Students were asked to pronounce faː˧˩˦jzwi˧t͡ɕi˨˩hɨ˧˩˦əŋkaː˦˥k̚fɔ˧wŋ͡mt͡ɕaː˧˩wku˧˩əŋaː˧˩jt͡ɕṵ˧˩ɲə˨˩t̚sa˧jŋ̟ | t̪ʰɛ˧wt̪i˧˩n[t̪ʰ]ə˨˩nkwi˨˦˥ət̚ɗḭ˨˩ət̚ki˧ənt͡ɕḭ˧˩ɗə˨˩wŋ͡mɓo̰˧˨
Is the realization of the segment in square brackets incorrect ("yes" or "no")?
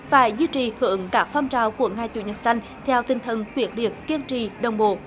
no